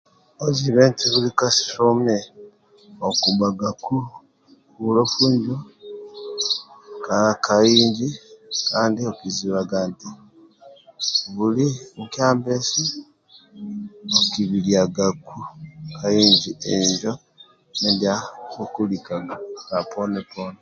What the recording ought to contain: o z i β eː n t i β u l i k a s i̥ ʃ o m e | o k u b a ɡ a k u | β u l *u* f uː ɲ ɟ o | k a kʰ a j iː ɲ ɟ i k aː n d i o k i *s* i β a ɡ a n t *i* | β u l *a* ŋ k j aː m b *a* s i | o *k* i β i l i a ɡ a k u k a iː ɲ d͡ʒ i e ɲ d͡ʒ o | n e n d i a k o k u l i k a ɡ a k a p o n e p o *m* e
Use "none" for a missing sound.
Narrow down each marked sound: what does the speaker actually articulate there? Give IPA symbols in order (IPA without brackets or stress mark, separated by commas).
o, z, i, i, e, k, n